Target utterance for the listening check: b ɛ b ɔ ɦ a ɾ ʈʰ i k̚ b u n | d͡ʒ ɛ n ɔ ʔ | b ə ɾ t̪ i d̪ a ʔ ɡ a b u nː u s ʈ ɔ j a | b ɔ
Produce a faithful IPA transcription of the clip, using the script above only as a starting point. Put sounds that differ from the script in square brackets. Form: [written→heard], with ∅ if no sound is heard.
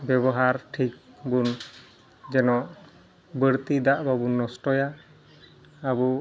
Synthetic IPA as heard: b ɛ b ɔ ɦ a ɾ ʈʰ i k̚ b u n | d͡ʒ ɛ n ɔ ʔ | b ə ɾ t̪ i d̪ a ʔ [ɡ→b] a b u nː [u→ɔ] s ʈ ɔ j a | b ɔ